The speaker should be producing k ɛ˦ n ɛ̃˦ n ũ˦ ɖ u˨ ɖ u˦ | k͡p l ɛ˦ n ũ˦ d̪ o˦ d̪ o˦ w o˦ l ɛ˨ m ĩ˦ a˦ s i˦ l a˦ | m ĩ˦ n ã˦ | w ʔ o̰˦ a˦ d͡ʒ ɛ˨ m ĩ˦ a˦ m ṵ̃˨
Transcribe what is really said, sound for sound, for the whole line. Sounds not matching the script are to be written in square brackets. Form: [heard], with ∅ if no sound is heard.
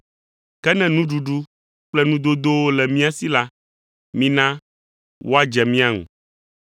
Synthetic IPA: k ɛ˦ n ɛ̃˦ n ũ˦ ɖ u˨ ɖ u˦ | k͡p l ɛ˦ n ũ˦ d̪ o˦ d̪ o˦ w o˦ l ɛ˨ m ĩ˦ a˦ s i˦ l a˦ | m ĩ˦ n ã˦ | w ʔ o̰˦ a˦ d͡ʒ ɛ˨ m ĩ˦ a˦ [ŋ] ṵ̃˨